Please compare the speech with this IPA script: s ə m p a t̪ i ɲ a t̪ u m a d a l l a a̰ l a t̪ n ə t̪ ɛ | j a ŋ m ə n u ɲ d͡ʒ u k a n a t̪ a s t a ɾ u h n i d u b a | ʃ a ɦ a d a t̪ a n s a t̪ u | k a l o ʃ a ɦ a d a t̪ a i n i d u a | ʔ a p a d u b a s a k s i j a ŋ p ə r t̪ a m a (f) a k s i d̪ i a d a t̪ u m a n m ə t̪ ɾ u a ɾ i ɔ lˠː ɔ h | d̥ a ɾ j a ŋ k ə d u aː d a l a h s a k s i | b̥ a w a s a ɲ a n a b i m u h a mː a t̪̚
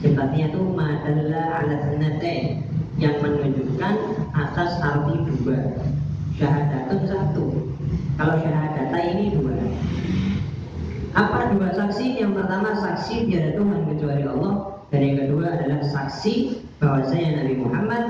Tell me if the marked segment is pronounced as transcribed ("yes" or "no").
no